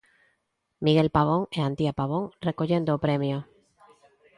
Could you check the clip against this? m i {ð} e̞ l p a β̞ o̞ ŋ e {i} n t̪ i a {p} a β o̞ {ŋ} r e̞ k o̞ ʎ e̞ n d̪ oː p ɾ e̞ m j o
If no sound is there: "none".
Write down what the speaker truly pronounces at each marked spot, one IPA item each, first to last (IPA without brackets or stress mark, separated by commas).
ɣ, a, p, ŋ